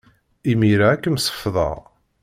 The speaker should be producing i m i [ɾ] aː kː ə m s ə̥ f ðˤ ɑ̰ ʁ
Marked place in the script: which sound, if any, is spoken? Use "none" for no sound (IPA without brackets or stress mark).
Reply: ɾ